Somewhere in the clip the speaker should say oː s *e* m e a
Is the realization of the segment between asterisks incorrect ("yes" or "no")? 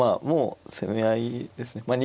no